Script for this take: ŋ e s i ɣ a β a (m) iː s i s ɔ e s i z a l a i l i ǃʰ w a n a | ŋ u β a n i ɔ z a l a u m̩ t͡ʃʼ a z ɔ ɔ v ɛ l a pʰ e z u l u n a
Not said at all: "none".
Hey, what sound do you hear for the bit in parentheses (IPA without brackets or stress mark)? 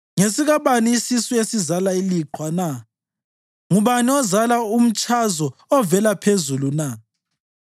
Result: n